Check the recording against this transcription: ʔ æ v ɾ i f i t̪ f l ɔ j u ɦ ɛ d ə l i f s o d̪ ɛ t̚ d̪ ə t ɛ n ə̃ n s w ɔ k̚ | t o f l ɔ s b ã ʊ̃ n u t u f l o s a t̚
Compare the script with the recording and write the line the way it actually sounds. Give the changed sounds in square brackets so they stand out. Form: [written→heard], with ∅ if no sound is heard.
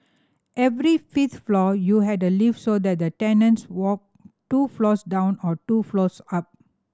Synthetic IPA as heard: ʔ [æ→ɛ] v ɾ i f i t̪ f l ɔ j u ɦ ɛ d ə l i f s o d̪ ɛ t̚ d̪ ə t ɛ n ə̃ n s w ɔ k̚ | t [o→u] f l ɔ s [b→d] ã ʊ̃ n [u→ɔ] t u f l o s a [t̚→p̚]